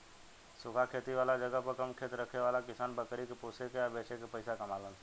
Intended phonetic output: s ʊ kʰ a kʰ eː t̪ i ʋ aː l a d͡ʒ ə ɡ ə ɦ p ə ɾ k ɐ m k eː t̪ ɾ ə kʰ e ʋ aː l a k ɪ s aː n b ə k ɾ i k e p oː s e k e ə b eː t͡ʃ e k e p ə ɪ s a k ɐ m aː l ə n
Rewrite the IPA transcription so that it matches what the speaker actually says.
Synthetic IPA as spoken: s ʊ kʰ a kʰ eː t̪ i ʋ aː l a d͡ʒ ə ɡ ə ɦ p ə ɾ k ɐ m kʰ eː t̪ ɾ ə kʰ e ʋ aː l a k ɪ s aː n b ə k ɾ i k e p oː s e k e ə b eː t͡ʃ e k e p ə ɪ s a k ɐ m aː l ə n